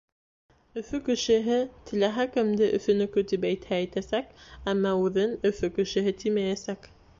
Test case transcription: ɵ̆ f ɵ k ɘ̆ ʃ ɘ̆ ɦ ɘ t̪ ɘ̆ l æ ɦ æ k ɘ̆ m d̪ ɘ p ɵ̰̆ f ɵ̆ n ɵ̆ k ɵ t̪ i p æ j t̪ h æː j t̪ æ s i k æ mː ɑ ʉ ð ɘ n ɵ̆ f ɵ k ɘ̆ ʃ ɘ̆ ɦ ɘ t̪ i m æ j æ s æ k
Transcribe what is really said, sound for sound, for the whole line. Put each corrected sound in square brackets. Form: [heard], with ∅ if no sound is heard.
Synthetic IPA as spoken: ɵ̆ f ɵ k ɘ̆ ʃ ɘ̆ ɦ ɘ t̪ ɘ̆ l æ ɦ æ k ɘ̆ m d̪ ɘ [ʔ] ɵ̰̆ f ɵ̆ n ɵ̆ k ɵ t̪ i p æ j t̪ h æː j t̪ æ s [æ] k æ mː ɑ ʉ ð ɘ n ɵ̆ f ɵ k ɘ̆ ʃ ɘ̆ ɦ ɘ t̪ i m æ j æ s æ k